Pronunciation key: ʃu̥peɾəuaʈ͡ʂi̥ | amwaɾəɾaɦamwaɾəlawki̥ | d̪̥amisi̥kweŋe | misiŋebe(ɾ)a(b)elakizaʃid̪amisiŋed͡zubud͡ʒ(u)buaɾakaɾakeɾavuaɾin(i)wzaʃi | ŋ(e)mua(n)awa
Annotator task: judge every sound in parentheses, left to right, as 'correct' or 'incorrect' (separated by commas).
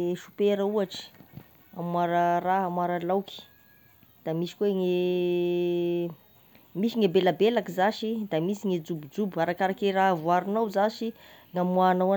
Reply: incorrect, correct, correct, incorrect, incorrect, correct